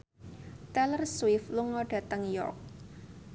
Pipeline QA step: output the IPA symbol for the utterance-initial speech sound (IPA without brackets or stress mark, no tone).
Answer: t̪